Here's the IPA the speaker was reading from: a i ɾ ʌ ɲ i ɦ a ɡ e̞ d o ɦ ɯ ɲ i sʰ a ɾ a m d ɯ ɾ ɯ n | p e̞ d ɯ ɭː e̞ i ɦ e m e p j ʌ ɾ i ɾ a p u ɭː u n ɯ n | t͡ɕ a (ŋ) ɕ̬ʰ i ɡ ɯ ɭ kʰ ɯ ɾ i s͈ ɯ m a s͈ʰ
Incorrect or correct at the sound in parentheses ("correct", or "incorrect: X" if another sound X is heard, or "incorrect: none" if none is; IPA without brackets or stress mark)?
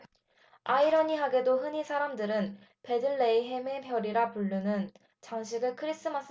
correct